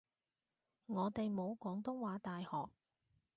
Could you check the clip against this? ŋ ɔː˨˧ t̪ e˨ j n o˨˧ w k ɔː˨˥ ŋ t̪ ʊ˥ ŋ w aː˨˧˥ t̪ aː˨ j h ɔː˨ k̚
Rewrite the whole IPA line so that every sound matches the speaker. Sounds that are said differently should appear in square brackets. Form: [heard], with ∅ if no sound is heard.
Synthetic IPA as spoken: ŋ ɔː˨˧ t̪ e˨ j [m] o˨˧ w k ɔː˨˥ ŋ t̪ ʊ˥ ŋ w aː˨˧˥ t̪ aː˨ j h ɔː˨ k̚